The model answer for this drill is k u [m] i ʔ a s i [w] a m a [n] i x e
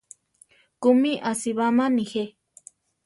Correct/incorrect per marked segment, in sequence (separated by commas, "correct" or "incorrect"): correct, incorrect, correct